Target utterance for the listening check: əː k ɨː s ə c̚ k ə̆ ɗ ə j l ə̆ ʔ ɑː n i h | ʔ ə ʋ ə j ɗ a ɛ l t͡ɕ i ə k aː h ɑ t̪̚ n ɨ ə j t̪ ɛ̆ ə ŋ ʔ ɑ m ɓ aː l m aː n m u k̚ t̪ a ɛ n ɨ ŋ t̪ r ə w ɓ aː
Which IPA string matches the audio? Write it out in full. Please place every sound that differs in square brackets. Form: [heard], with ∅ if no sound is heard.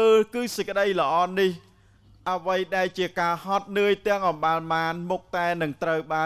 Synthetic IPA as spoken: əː k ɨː s ə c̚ k ə̆ ɗ ə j l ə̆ ʔ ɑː n i h | ʔ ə ʋ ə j ɗ a ɛ l t͡ɕ i ə k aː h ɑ t̪̚ n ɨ ə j t̪ ɛ̆ ə ŋ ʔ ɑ m ɓ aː l m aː n m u k̚ t̪ a ɛ n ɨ ŋ t̪ r ə w ɓ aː